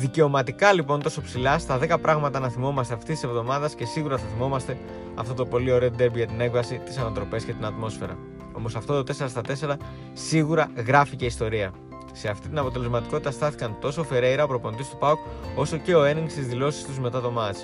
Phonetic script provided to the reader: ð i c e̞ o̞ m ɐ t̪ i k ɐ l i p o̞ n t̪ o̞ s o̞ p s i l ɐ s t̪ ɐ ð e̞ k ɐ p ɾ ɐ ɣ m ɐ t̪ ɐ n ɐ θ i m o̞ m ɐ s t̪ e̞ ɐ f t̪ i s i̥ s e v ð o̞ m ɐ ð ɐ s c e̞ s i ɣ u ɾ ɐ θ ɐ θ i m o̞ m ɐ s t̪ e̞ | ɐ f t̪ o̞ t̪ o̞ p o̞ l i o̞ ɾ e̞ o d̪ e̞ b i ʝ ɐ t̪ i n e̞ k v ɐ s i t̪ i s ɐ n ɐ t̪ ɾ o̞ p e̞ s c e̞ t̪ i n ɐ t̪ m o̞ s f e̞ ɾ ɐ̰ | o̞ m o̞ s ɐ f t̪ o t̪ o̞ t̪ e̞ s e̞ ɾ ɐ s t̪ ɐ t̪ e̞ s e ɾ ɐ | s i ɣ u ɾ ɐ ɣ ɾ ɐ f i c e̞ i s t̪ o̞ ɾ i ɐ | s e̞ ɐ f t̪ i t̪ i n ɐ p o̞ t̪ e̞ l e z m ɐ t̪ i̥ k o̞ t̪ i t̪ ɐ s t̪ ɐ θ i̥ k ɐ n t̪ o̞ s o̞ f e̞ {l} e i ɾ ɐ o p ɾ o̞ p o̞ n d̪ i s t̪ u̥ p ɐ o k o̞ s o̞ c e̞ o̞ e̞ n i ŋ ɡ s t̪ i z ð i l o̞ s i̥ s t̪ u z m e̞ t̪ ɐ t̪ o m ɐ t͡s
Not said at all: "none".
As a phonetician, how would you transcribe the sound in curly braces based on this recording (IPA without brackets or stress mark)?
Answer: ɾ